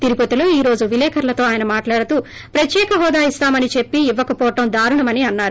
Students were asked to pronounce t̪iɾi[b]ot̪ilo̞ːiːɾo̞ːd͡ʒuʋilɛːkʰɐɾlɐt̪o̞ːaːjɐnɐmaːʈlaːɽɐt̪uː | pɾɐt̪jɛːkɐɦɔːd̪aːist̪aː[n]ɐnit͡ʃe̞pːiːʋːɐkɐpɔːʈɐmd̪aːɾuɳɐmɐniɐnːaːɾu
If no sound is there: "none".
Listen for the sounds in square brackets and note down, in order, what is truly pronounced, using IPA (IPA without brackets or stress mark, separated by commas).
p, m